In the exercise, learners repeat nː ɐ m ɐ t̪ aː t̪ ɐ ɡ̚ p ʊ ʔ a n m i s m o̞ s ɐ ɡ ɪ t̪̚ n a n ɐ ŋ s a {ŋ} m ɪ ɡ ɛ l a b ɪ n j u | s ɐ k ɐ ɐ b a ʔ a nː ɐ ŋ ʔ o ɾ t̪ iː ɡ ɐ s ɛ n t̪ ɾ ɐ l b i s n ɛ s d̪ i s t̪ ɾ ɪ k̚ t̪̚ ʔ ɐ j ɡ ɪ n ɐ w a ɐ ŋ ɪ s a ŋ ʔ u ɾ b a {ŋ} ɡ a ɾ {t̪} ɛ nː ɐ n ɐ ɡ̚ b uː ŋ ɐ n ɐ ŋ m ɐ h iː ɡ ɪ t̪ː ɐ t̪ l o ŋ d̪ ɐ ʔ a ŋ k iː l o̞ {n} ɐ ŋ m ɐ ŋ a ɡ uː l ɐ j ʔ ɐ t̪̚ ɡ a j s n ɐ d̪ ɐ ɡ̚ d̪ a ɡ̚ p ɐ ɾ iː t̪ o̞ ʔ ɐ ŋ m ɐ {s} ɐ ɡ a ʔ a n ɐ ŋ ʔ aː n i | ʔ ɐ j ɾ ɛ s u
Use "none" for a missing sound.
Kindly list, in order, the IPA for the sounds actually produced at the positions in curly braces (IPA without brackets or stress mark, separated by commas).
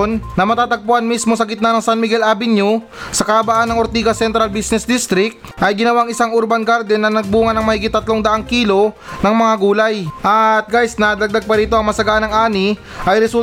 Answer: n, n, d̪, n, s